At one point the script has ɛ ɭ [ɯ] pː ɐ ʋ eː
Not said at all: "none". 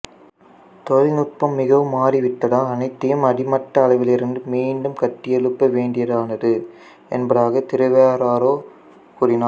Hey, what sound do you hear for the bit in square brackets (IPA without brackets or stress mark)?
ɯ